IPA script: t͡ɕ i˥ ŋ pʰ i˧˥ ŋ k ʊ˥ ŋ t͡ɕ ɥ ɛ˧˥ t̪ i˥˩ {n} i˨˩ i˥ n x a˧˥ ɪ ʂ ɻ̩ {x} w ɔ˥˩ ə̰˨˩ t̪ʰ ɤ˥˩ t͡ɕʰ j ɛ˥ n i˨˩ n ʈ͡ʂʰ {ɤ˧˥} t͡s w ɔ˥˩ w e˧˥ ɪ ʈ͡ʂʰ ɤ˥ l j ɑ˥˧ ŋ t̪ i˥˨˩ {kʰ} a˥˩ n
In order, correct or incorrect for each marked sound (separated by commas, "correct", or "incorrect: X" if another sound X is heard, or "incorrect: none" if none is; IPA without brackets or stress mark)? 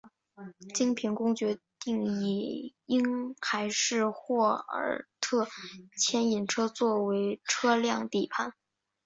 incorrect: ŋ, correct, incorrect: ɤ˥, incorrect: pʰ